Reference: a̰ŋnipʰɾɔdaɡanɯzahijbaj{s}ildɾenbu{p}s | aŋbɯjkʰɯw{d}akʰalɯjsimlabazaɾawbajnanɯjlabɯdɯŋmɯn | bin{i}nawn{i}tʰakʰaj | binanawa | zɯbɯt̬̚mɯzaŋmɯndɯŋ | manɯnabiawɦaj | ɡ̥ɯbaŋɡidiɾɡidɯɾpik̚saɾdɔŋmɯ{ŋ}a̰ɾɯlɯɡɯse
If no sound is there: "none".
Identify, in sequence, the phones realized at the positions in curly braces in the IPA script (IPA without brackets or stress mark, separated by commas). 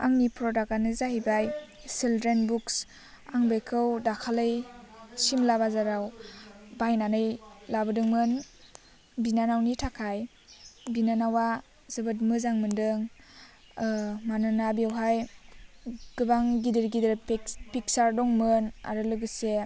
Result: s, k, d, a, i, n